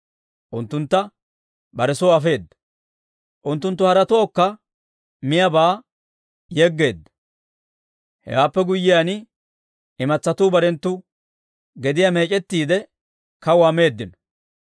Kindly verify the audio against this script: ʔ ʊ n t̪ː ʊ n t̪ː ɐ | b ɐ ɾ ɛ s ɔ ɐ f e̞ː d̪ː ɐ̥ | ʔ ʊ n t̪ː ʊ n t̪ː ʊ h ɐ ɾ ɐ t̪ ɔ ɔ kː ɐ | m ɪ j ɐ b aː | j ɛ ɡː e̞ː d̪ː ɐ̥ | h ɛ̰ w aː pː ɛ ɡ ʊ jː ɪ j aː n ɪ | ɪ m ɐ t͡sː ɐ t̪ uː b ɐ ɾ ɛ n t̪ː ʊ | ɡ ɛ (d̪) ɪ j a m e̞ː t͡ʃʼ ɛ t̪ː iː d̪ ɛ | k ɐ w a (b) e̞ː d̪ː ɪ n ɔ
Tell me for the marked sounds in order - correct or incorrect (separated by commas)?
correct, incorrect